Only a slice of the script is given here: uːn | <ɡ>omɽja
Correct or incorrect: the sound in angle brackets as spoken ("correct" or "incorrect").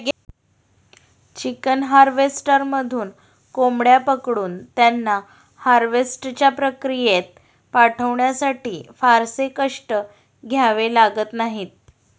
incorrect